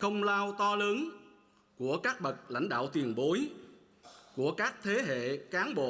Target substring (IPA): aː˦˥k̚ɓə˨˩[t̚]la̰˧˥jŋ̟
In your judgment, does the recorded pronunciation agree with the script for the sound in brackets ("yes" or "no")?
yes